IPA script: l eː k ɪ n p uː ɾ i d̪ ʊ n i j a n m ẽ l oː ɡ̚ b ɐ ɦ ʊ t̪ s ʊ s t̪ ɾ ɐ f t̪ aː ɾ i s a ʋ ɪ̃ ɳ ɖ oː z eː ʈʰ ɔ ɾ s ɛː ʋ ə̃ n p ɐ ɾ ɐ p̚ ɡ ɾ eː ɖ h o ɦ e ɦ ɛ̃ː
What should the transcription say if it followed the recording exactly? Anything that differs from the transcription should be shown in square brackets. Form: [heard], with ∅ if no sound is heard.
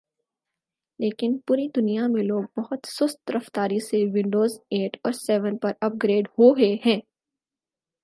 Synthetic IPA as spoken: l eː k ɪ n p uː ɾ i d̪ ʊ n i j a [∅] m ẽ l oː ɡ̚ b ɐ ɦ ʊ t̪ s ʊ s t̪ ɾ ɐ f t̪ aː ɾ i s [e] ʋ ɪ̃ ɳ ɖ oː z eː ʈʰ [ɔː] ɾ s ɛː ʋ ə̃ n p ɐ ɾ ɐ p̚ ɡ ɾ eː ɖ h o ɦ e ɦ ɛ̃ː

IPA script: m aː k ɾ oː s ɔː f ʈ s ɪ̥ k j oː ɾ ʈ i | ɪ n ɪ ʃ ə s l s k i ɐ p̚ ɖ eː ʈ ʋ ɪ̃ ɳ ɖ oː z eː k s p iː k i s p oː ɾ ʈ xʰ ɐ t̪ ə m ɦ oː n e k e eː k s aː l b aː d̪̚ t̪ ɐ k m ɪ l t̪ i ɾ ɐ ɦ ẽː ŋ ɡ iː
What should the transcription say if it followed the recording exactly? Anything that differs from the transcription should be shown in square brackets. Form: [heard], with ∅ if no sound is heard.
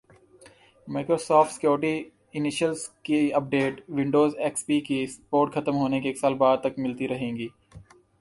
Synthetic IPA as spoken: m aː k ɾ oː s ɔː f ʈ s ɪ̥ k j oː ɾ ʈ i | ɪ n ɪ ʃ ə [∅] l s k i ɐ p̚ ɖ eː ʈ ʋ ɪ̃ ɳ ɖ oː z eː k s p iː k i s p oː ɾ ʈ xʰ ɐ t̪ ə m ɦ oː n e k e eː k s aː l b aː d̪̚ t̪ ɐ k m ɪ l t̪ i ɾ ɐ ɦ ẽː ŋ ɡ iː

